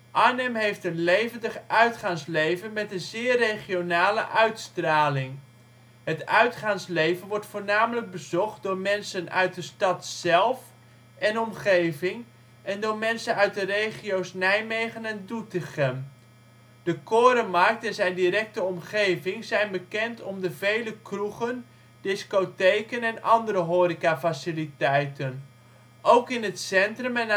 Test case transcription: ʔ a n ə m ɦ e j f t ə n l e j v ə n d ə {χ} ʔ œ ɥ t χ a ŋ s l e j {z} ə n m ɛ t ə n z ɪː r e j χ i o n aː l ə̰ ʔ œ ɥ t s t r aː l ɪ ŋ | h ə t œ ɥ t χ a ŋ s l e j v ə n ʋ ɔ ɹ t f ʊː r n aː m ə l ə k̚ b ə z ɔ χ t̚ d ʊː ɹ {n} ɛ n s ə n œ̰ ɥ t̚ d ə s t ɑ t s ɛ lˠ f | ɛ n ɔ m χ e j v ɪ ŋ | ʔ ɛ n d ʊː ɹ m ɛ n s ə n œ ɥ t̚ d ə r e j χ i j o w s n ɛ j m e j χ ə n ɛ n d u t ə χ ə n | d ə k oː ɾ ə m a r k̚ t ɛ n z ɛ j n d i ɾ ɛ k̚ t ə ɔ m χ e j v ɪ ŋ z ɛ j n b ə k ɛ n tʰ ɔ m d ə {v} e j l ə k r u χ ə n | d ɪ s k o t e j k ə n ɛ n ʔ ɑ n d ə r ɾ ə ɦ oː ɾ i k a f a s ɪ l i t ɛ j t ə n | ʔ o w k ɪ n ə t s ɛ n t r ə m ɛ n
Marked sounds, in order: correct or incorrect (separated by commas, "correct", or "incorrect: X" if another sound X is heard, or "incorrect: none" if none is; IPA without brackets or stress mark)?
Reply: correct, incorrect: v, incorrect: m, correct